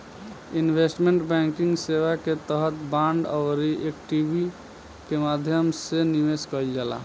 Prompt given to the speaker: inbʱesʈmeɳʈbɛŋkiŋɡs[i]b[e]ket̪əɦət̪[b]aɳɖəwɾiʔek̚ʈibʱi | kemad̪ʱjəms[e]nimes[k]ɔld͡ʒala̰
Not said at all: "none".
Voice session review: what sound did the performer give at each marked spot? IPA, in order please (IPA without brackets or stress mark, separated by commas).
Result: e, a, b, e, k